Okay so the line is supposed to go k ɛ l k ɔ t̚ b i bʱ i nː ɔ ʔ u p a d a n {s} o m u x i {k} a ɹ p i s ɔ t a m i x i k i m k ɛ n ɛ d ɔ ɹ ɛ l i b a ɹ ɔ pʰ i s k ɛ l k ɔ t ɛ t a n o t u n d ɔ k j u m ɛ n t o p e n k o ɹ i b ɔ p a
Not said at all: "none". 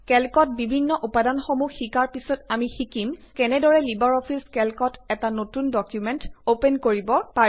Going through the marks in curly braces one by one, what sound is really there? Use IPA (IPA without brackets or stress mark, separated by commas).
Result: x, k